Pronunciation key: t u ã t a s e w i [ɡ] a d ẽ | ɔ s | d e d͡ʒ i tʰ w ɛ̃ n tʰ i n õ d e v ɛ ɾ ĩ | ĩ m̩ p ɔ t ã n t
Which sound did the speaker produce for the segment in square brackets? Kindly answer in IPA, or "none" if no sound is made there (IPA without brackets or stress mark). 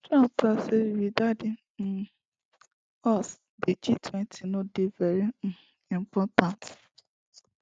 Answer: d